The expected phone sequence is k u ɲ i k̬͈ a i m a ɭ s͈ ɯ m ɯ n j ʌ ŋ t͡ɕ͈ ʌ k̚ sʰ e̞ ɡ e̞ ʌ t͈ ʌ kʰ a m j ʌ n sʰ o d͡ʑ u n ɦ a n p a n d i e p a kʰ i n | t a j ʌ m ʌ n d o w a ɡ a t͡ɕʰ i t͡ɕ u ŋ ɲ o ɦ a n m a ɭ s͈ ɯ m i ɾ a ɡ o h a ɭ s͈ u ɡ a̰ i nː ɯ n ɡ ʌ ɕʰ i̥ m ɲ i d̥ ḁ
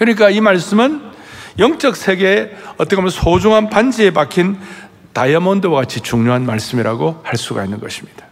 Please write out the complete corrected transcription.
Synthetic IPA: k ɯ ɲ i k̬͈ a i m a ɭ s͈ ɯ m ɯ n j ʌ ŋ t͡ɕ͈ ʌ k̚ sʰ e̞ ɡ e̞ ʌ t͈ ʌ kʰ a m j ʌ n sʰ o d͡ʑ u ŋ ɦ a n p a n d͡ʑ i e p a kʰ i n | t a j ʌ m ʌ n d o w a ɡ a t͡ɕʰ i t͡ɕ u ŋ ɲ o ɦ a n m a ɭ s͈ ɯ m i ɾ a ɡ o h a ɭ s͈ u ɡ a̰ i nː ɯ n ɡ ʌ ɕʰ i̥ m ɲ i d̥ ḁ